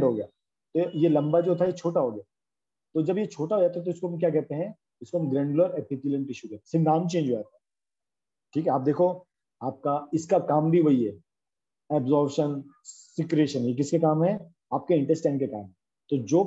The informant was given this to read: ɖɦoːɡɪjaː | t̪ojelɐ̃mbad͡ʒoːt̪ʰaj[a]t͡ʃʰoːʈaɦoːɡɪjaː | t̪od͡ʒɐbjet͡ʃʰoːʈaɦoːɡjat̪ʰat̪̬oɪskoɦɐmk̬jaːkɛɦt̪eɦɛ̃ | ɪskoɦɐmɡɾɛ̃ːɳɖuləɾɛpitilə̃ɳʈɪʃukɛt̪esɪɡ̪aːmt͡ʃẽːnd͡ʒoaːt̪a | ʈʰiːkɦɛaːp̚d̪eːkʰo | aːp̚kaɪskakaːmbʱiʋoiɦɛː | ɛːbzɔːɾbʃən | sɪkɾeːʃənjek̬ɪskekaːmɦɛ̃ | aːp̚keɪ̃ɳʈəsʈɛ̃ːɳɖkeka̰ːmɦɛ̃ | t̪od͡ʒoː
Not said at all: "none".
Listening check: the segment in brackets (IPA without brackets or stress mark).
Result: e